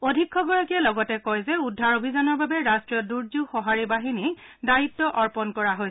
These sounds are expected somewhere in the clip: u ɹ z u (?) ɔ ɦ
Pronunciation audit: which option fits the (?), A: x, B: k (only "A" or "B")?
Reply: A